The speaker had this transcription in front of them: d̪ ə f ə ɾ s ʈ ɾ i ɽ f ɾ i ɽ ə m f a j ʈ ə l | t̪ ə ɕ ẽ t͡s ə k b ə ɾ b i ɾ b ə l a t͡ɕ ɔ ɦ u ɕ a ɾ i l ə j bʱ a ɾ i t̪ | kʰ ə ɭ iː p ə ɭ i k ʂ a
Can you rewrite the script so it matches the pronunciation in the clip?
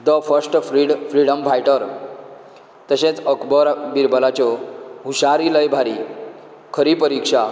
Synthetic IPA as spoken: d̪ ə f ə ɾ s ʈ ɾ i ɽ f ɾ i ɽ ə m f a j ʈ ə ɾ | t̪ ə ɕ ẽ t͡s ə k b ə ɾ b i ɾ b ə l a t͡ɕ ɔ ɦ u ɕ a ɾ i l ə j bʱ a ɾ i | kʰ ə ɾ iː p ə ɾ i k ʂ a